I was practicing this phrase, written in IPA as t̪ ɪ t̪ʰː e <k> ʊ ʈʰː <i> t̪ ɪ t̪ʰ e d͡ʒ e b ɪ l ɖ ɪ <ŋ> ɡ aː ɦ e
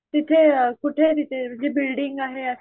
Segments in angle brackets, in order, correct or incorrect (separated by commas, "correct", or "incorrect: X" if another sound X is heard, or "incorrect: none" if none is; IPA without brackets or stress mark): correct, incorrect: e, correct